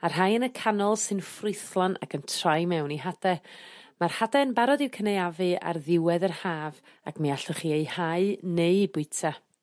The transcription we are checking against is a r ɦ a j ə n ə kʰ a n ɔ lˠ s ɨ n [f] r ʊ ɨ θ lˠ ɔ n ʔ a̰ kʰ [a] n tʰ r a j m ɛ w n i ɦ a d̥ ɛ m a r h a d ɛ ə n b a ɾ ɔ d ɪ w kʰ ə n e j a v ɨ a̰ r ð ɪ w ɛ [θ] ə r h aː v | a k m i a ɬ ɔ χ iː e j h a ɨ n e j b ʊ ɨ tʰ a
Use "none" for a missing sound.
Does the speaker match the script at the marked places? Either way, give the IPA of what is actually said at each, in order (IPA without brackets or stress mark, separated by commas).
f, ə, ð